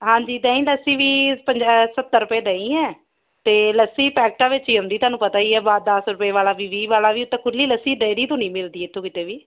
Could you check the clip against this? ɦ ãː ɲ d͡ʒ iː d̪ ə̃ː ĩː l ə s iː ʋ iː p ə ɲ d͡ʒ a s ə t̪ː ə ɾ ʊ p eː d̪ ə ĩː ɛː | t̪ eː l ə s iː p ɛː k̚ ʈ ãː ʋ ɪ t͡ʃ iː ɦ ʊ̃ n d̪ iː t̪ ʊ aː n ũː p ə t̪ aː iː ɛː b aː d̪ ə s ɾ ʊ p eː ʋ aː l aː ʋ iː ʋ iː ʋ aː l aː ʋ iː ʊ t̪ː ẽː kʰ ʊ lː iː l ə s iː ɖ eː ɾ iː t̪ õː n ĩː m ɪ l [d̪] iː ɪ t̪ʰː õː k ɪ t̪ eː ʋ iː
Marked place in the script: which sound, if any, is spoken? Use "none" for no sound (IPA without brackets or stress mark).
d̪